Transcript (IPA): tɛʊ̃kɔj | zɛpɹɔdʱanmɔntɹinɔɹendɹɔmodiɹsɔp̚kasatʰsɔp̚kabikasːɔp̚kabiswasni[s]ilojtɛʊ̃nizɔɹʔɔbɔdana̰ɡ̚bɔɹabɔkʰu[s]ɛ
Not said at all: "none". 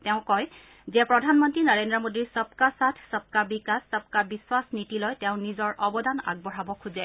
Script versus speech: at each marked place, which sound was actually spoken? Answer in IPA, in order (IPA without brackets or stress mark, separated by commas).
t, z